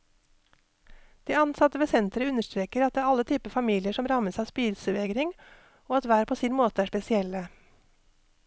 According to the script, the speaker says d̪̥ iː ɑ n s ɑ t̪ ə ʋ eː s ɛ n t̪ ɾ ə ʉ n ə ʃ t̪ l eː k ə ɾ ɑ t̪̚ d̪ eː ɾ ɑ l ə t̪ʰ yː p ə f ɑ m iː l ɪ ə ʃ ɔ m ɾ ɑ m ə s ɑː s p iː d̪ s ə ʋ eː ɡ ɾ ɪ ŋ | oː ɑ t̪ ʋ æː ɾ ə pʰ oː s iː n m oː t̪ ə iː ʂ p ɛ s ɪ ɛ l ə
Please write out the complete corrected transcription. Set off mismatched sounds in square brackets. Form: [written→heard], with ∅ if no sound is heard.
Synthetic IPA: d̪̥ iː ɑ n s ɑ t̪ ə ʋ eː s ɛ n t̪ ɾ ə ʉ n ə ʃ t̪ [l→ɾ] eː k ə ɾ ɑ t̪̚ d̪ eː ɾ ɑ l ə t̪ʰ yː p ə f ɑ m iː l ɪ ə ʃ ɔ m ɾ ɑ m ə s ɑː s p iː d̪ s ə ʋ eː ɡ ɾ ɪ ŋ | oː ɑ t̪ ʋ æː ɾ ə pʰ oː s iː n m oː t̪ ə [iː→æː] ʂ p ɛ s ɪ ɛ l ə